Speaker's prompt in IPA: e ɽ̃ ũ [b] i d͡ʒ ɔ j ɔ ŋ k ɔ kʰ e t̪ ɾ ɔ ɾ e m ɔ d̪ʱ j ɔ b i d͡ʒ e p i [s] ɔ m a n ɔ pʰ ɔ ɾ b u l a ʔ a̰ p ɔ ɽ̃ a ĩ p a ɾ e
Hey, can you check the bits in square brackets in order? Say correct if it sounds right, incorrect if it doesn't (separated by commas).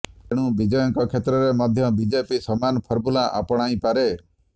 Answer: correct, correct